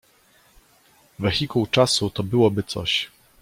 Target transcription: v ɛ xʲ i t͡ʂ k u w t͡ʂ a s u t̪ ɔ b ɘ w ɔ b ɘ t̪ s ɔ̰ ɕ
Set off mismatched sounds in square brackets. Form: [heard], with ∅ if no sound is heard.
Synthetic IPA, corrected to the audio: v ɛ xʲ i [∅] k u w t͡ʂ a s u t̪ ɔ b ɘ w ɔ b ɘ t̪ s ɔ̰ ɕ